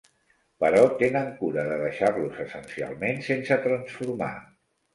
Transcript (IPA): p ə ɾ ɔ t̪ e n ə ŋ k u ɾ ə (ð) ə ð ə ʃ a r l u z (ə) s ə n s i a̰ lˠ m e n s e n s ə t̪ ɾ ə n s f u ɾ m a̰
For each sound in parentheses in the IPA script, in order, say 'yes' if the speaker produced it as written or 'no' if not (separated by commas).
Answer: yes, yes